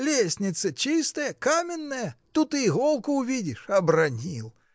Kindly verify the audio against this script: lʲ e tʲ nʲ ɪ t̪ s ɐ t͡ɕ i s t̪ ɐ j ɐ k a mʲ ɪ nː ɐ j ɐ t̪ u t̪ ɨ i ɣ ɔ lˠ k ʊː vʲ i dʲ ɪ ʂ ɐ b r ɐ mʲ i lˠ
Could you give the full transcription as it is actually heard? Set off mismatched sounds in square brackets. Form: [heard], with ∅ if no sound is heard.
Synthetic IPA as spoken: lʲ e [sʲ] nʲ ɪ t̪ s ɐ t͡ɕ i s t̪ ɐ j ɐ k a mʲ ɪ nː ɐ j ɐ t̪ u t̪ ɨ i ɣ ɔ lˠ k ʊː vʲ i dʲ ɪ ʂ ɐ b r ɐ [nʲ] i lˠ